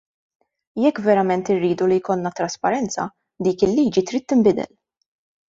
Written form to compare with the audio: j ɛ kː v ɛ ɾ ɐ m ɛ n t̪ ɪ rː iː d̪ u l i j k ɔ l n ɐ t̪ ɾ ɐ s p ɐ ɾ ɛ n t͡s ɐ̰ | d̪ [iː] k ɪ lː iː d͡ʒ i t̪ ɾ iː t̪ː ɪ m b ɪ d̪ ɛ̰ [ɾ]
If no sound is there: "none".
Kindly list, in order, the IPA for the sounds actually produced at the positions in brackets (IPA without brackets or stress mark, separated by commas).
iː, l